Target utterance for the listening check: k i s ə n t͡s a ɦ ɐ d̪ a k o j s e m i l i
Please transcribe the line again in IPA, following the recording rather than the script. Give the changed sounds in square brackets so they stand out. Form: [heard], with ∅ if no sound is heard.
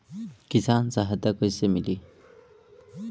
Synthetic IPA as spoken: k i s [a] n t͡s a ɦ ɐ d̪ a k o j s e m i l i

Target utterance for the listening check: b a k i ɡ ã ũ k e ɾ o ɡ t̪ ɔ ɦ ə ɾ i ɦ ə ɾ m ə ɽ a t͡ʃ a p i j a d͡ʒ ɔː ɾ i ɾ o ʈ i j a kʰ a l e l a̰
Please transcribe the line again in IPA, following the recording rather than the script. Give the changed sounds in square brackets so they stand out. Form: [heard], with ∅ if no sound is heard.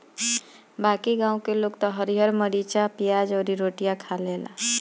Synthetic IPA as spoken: b a k i ɡ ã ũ k e [l] o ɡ t̪ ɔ ɦ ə ɾ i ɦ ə ɾ m ə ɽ [i] t͡ʃ a p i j a d͡ʒ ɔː ɾ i ɾ o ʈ i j a kʰ a l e l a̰

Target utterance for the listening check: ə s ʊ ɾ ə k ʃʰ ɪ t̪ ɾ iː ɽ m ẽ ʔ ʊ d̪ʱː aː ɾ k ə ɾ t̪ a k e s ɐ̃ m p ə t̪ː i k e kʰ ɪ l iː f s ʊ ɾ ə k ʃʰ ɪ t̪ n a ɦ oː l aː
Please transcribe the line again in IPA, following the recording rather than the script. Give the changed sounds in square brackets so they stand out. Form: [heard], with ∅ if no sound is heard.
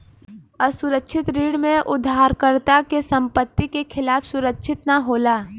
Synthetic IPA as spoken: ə s ʊ ɾ ə k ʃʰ ɪ t̪ ɾ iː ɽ m ẽ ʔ ʊ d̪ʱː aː ɾ k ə ɾ t̪ a k e s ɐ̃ m p ə t̪ː i k e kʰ ɪ l [aː] f s ʊ ɾ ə k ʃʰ ɪ t̪ n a ɦ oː l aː

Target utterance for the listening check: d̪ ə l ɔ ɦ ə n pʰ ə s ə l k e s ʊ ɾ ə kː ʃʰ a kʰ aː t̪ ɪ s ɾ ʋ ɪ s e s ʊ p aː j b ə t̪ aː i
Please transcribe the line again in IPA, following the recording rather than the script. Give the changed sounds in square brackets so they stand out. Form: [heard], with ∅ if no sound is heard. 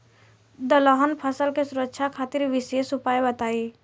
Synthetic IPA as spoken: d̪ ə l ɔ ɦ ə n pʰ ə s ə l k e s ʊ ɾ ə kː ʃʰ a kʰ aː t̪ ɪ [∅] ɾ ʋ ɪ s e s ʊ p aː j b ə t̪ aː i

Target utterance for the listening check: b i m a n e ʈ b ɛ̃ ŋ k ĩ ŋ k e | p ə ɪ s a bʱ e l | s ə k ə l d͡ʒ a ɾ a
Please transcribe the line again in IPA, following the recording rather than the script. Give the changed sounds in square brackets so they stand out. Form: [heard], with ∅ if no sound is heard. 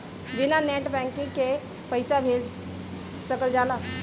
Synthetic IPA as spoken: b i [n] a n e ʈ b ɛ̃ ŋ k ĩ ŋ k e | p ə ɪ s a bʱ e l | s ə k ə l d͡ʒ a [l] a

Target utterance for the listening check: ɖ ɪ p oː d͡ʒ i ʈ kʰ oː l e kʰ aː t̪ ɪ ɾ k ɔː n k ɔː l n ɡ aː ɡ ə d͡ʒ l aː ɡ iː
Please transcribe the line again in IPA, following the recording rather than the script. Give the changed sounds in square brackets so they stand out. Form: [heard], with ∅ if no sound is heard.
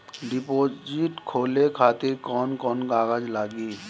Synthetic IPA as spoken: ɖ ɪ p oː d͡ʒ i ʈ kʰ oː l e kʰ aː t̪ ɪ ɾ k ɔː n k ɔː [∅] n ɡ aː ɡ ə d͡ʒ l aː ɡ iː

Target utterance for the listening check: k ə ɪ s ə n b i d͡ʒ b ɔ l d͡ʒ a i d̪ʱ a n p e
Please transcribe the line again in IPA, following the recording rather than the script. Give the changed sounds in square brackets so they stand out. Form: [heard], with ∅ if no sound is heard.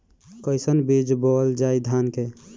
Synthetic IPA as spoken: k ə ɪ s ə n b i d͡ʒ b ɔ l d͡ʒ a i d̪ʱ a n [k] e

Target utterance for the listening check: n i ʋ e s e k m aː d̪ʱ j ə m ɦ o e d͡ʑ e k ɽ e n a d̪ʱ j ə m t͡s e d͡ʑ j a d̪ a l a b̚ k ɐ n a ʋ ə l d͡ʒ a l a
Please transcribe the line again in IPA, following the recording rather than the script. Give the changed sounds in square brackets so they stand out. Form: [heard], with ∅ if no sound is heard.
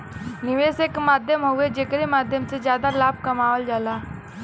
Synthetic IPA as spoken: n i ʋ e s e k m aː d̪ʱ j ə m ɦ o e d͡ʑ e k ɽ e [m] a d̪ʱ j ə m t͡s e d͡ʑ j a d̪ a l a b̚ k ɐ [m] a ʋ ə l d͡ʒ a l a

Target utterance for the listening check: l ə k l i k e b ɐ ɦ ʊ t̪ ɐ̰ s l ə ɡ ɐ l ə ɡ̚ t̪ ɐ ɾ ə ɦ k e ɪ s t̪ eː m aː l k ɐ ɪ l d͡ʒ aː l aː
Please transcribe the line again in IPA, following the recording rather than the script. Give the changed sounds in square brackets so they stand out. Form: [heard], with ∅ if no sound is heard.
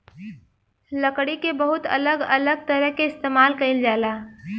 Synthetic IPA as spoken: l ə k [ɽ] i k e b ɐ ɦ ʊ t̪ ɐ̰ [∅] l ə ɡ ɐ l ə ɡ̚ t̪ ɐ ɾ ə ɦ k e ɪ s t̪ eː m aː l k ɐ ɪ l d͡ʒ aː l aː

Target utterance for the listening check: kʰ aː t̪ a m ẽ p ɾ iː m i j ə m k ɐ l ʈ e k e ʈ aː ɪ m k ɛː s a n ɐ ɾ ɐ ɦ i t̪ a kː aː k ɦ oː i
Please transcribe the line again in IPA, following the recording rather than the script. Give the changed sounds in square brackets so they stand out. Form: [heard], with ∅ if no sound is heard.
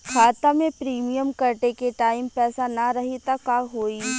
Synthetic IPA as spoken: kʰ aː t̪ a m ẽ p ɾ iː m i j ə m k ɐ [ɾ] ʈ e k e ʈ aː ɪ m [p] ɛː s a n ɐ ɾ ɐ ɦ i t̪ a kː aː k ɦ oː i

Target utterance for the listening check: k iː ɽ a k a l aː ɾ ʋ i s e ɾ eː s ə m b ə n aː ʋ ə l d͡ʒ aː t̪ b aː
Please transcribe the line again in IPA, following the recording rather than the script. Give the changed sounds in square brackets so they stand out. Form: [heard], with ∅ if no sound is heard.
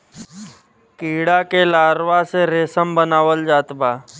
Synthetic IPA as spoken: k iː ɽ a k [e] l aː ɾ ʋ [a] s e ɾ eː s ə m b ə n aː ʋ ə l d͡ʒ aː t̪ b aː

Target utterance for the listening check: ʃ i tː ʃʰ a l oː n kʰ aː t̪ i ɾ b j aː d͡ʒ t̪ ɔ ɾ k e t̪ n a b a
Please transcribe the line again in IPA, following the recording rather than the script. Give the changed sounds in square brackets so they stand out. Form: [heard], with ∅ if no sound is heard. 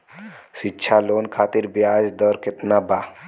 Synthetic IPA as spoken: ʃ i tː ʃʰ a l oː n kʰ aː t̪ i ɾ b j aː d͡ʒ [d̪] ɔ ɾ k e t̪ n a b a

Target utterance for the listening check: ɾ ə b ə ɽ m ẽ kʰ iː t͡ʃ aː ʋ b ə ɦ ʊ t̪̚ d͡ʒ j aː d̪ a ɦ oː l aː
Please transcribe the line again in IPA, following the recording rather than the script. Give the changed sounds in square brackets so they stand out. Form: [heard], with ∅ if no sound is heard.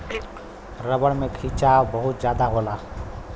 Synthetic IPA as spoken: ɾ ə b ə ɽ m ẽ kʰ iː t͡ʃ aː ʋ b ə ɦ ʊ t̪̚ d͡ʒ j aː d̪ a ɦ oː l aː

